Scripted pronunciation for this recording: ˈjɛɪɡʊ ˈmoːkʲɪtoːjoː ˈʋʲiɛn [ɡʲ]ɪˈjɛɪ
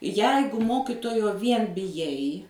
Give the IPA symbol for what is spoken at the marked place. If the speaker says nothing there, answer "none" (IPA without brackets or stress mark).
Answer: bʲ